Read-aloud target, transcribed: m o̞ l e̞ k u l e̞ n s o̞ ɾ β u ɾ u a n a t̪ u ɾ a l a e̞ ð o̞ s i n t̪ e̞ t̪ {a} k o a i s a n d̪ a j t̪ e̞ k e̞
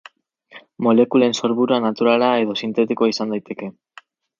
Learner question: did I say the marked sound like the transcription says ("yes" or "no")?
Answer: no